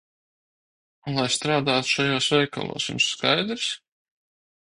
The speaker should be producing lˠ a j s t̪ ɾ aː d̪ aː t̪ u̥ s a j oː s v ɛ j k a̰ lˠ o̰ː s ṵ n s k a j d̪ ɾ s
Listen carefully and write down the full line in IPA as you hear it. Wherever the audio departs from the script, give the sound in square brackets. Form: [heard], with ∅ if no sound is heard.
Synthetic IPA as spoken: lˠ a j s t̪ ɾ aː d̪ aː t̪ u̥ [ʃ] a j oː s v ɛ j k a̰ lˠ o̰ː s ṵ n s k a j d̪ ɾ s